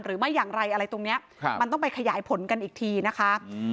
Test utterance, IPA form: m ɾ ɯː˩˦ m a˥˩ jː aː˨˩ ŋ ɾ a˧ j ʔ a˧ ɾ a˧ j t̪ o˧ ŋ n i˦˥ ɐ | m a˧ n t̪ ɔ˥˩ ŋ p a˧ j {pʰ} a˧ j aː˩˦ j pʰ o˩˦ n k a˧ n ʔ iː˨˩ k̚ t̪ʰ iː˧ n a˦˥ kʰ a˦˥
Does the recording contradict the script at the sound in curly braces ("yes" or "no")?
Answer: yes